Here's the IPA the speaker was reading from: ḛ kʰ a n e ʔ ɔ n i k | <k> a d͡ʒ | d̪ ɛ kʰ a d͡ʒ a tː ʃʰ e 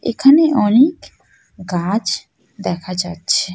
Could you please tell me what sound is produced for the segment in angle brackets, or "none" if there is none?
ɡ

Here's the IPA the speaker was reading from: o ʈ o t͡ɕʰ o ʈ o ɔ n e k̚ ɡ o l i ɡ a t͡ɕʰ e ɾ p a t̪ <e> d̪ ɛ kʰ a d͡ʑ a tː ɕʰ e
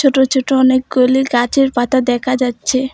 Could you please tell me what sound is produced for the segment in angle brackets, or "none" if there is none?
a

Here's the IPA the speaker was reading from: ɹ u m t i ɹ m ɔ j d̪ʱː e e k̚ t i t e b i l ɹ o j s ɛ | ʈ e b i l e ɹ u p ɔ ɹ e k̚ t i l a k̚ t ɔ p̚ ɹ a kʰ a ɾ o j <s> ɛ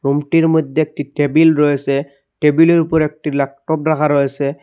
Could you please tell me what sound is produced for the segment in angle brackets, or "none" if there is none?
s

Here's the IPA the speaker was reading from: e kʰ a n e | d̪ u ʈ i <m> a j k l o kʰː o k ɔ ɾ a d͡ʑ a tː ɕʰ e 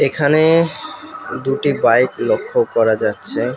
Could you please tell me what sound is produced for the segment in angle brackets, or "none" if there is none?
b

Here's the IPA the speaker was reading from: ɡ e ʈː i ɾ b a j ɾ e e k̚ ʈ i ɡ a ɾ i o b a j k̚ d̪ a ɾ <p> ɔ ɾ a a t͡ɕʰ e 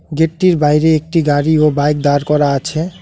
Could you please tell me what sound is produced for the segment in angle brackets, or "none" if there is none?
k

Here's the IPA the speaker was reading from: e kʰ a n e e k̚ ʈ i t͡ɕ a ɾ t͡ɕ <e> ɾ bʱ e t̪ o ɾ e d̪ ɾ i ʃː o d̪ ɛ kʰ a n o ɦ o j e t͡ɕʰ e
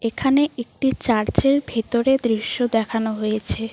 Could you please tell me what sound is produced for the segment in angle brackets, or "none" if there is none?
e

